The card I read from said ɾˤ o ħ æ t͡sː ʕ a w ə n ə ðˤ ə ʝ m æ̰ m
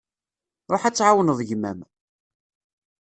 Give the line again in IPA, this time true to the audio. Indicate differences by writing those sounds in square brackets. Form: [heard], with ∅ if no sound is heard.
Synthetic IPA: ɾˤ o ħ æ t͡sː ʕ a w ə n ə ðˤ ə ʝ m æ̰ m